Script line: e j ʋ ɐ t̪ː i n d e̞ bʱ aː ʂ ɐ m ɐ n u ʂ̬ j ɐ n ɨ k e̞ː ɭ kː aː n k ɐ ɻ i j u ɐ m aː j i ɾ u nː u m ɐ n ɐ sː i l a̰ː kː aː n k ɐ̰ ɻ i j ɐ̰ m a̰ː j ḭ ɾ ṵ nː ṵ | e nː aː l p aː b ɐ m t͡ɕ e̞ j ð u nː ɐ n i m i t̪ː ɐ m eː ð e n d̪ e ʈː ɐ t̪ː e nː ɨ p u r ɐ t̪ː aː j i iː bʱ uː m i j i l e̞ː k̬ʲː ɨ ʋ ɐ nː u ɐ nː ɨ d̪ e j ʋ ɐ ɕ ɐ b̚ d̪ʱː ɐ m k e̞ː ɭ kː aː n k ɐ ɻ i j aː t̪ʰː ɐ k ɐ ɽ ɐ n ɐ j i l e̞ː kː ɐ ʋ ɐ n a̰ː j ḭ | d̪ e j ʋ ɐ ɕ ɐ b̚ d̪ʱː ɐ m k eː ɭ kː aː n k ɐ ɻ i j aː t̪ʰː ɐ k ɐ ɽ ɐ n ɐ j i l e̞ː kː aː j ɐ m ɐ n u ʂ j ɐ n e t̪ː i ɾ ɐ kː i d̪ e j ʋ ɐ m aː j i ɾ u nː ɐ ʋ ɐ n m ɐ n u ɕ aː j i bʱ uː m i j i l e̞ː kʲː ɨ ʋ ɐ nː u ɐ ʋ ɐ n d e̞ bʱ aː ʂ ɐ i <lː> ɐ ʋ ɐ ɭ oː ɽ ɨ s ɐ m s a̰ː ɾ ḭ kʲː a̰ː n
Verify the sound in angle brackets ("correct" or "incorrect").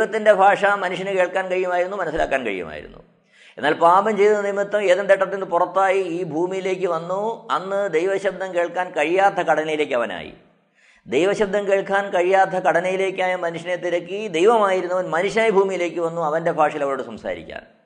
incorrect